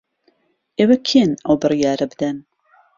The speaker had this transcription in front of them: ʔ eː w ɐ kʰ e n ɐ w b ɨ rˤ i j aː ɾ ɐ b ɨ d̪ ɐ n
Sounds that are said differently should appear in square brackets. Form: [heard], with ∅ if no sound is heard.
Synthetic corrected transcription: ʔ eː w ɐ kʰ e n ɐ w b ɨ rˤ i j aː ɾ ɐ b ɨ d̪ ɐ n